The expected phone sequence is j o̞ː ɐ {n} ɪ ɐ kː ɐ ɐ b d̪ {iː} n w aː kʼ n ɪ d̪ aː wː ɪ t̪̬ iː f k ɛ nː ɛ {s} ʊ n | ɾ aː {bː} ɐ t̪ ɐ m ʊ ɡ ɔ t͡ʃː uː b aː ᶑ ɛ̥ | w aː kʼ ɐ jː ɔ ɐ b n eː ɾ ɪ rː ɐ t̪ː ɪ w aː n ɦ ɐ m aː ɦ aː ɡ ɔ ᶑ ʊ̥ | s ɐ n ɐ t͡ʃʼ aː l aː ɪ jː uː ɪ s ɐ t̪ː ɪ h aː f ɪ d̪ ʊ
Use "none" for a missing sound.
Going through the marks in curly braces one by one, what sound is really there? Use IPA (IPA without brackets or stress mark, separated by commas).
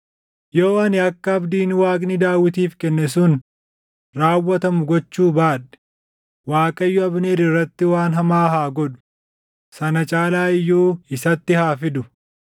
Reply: n, iː, s, wː